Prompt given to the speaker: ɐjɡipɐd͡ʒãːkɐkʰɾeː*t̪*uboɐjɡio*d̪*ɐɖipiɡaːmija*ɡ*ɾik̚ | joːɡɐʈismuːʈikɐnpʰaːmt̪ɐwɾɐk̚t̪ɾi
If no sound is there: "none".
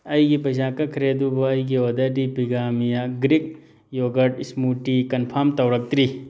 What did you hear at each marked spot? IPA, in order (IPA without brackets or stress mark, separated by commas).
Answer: d̪, d̪, ɡ